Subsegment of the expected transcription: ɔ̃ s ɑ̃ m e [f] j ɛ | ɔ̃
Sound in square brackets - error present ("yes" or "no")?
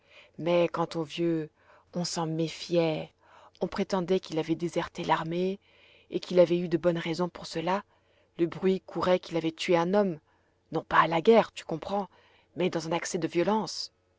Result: no